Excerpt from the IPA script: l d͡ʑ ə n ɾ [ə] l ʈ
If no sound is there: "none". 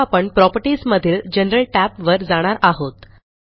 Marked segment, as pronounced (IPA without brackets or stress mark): ə